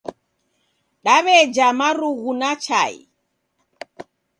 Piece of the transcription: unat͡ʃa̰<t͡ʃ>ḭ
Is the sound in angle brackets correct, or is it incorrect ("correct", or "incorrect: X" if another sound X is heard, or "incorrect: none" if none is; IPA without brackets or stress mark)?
incorrect: none